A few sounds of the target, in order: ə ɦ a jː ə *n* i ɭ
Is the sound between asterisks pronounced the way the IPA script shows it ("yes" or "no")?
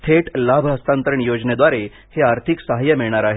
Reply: no